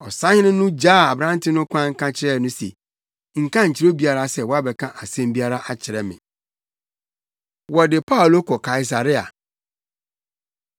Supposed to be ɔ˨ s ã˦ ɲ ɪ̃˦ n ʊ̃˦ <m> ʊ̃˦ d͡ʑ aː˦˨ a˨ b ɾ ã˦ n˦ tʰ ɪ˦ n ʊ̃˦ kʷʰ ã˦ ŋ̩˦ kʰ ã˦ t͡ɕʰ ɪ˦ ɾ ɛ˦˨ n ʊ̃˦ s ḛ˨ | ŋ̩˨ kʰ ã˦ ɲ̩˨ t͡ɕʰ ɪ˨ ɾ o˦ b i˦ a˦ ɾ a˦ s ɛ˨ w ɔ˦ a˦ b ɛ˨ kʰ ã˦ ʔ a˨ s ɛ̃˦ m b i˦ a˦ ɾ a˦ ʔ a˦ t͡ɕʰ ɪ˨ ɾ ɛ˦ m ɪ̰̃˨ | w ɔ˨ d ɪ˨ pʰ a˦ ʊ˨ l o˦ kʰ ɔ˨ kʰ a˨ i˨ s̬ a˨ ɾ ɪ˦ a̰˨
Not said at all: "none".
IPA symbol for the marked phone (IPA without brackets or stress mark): n